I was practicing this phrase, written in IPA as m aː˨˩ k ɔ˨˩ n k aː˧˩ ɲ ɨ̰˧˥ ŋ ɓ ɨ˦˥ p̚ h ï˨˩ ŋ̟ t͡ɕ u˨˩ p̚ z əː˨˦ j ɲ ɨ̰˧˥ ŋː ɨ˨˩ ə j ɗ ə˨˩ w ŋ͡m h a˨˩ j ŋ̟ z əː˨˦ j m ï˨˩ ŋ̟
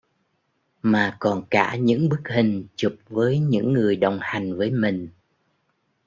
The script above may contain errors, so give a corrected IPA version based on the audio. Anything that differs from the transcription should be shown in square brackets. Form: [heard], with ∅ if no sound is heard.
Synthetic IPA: m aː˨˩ k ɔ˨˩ n k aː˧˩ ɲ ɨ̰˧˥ ŋ ɓ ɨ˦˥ [k̚] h ï˨˩ ŋ̟ t͡ɕ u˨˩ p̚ [v] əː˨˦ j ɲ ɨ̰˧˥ ŋː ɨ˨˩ ə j ɗ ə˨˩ w ŋ͡m h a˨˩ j ŋ̟ [v] əː˨˦ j m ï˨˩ ŋ̟